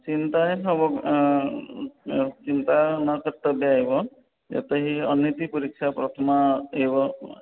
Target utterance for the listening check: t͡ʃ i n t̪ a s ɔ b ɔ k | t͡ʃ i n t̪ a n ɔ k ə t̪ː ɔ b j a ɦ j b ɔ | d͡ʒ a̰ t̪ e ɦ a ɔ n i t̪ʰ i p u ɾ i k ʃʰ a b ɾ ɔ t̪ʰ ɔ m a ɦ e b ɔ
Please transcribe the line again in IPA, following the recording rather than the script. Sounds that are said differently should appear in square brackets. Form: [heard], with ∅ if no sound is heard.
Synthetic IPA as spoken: t͡ʃ i n t̪ a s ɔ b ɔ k | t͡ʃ i n t̪ a n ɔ k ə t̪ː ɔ b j a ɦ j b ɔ | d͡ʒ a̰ t̪ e ɦ [i] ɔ n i [t̪] i p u ɾ i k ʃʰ a [p] ɾ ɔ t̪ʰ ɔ m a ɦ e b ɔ

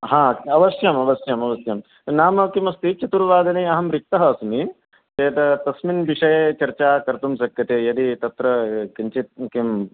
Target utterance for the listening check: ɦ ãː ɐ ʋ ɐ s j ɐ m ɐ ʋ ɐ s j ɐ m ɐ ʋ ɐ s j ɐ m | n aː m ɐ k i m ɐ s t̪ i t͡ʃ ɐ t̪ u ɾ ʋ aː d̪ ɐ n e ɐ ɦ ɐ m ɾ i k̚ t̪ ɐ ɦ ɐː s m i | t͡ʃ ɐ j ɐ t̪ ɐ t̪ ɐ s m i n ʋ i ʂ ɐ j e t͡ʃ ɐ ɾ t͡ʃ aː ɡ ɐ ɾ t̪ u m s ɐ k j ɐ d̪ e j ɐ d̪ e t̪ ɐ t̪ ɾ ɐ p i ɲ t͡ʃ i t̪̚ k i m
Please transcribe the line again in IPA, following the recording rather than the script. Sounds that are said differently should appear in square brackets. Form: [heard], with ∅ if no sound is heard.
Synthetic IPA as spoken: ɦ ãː ɐ ʋ ɐ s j ɐ m ɐ ʋ ɐ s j ɐ m ɐ ʋ ɐ s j ɐ m | n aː m ɐ k i m ɐ s t̪ i t͡ʃ ɐ t̪ u ɾ ʋ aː d̪ ɐ n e ɐ ɦ ɐ m ɾ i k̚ t̪ ɐ ɦ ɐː s m i | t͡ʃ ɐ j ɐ t̪ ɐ t̪ ɐ s m i n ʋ i ʂ ɐ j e t͡ʃ ɐ ɾ t͡ʃ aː [k] ɐ ɾ t̪ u m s ɐ k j ɐ [t̪] e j ɐ d̪ [i] t̪ ɐ t̪ ɾ ɐ [k] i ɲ t͡ʃ i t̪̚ k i m

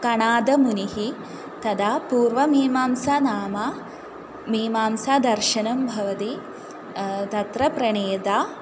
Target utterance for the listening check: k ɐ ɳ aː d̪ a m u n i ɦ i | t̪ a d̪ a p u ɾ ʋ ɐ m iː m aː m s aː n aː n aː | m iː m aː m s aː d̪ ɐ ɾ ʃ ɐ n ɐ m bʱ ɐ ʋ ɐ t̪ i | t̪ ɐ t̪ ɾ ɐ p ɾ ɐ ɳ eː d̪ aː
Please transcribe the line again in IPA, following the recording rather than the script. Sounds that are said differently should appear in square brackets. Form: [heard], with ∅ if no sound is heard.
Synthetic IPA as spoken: k ɐ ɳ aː d̪ [ɐ] m u n i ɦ i | t̪ [ɐ] d̪ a p [uː] ɾ ʋ ɐ m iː m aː m s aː n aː [m] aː | m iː m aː m s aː d̪ ɐ ɾ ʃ ɐ n ɐ m bʱ ɐ ʋ ɐ t̪ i | t̪ ɐ t̪ ɾ ɐ p ɾ ɐ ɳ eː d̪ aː

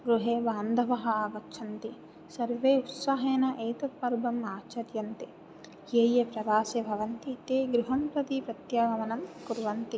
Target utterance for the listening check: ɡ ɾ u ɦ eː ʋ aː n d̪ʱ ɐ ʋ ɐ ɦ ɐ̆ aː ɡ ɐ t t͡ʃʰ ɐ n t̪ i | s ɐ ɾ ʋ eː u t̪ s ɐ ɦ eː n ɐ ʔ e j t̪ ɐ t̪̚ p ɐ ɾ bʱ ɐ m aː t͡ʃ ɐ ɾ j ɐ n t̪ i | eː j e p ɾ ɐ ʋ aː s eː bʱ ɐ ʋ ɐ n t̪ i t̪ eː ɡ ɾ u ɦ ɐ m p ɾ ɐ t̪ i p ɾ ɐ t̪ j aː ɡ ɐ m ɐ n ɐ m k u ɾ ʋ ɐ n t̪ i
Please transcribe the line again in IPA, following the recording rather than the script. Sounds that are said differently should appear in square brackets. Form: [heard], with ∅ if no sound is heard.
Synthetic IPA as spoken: ɡ ɾ u ɦ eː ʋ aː n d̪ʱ ɐ ʋ ɐ ɦ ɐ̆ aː ɡ ɐ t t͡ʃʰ ɐ n t̪ i | s ɐ ɾ ʋ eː u t̪ s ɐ ɦ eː n ɐ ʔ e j t̪ ɐ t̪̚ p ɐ ɾ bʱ ɐ m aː t͡ʃ ɐ ɾ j ɐ n t̪ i | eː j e p ɾ ɐ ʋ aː s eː bʱ ɐ ʋ ɐ n t̪ i t̪ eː ɡ ɾ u ɦ ɐ m p ɾ ɐ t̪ i p ɾ ɐ t̪ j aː ɡ ɐ m ɐ n ɐ m k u ɾ ʋ ɐ n t̪ i

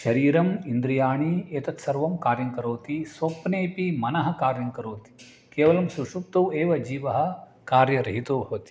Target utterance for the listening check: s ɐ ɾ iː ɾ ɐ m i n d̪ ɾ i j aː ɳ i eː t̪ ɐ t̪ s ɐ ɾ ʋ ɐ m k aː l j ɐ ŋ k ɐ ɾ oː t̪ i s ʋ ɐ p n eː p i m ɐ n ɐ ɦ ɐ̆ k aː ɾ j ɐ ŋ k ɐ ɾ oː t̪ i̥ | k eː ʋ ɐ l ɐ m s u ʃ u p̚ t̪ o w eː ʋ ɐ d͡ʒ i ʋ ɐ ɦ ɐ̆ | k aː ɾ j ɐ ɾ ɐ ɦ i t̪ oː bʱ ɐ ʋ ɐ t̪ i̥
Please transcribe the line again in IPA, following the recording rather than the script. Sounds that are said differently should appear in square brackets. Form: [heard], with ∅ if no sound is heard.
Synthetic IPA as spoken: [ʃ] ɐ ɾ iː ɾ ɐ m i n d̪ ɾ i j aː ɳ i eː t̪ ɐ t̪ s ɐ ɾ ʋ ɐ m k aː [ɾ] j ɐ ŋ k ɐ ɾ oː t̪ i s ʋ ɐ p n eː p i m ɐ n ɐ ɦ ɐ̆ k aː ɾ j ɐ ŋ k ɐ ɾ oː t̪ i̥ | k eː ʋ ɐ l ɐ m s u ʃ u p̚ t̪ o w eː ʋ ɐ d͡ʒ [iː] ʋ ɐ ɦ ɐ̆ | k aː ɾ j ɐ ɾ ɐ ɦ i t̪ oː bʱ ɐ ʋ ɐ t̪ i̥

